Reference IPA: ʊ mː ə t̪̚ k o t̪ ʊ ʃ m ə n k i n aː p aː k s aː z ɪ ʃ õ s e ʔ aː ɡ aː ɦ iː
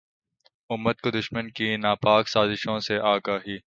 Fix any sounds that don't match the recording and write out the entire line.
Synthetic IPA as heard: ʊ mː ə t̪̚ k o d̪ ʊ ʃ m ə n k i n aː p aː k s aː z ɪ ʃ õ s e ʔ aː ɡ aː ɦ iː